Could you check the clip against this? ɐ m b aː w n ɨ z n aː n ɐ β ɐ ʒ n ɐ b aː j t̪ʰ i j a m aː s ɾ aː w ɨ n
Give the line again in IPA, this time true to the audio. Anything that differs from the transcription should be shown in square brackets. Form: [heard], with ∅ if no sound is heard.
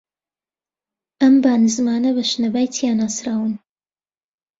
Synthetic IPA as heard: ɐ m b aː [∅] n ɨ z [m] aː n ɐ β ɐ [ʃ] n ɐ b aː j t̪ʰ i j a [n] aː s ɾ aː w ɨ n